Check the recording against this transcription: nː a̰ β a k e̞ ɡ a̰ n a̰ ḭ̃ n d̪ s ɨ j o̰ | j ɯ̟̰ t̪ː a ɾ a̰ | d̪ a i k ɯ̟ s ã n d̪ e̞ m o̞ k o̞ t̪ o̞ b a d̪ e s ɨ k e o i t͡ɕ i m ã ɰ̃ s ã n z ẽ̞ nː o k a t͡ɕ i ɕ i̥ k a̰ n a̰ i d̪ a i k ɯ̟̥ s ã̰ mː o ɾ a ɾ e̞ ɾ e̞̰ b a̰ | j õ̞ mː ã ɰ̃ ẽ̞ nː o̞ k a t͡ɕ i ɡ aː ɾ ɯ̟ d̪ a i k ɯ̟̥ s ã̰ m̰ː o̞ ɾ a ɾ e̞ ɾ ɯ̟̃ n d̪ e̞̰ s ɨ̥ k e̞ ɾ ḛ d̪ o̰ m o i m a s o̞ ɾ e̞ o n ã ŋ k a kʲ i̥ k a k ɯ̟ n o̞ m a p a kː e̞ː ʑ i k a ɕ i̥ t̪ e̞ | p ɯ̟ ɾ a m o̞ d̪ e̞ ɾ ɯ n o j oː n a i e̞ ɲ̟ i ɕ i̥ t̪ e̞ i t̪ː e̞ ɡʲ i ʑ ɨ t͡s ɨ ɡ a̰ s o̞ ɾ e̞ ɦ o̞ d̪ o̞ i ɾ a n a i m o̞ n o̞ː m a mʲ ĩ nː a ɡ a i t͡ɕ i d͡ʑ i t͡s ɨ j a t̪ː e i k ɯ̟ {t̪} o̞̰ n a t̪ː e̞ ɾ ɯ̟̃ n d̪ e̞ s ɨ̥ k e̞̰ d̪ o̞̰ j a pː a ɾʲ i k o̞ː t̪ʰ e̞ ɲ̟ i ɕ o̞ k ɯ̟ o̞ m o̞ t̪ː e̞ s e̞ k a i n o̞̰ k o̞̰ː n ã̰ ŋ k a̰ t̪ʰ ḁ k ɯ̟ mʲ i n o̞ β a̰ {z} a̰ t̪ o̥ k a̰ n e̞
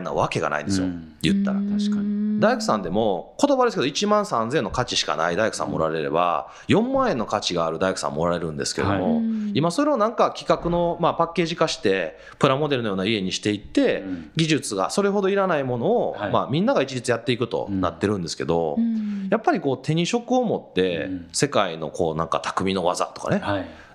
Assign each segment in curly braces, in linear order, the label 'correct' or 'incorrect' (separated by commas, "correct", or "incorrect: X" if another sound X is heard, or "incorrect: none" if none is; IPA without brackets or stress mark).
correct, correct